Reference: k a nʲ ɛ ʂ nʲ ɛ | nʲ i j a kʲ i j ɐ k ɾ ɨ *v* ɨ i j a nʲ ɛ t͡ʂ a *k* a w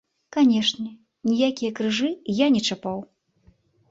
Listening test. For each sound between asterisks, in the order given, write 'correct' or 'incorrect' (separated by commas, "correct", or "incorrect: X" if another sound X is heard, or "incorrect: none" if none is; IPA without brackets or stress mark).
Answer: incorrect: ʐ, incorrect: p